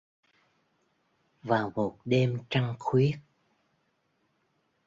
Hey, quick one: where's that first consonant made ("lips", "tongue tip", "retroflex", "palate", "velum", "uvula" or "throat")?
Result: lips